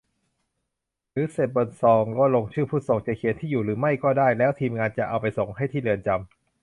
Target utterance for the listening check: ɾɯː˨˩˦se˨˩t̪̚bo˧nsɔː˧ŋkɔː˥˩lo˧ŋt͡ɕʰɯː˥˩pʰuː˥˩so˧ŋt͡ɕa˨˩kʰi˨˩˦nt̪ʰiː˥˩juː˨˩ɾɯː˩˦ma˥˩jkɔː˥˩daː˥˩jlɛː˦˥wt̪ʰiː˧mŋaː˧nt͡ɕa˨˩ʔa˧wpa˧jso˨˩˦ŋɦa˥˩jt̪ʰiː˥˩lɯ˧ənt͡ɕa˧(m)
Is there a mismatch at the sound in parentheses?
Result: no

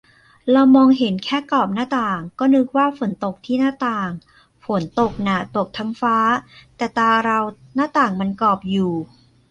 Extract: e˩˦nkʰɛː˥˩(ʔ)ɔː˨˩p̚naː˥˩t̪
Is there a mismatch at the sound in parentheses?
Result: yes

